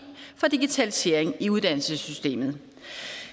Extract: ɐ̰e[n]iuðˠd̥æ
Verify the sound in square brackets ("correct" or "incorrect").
incorrect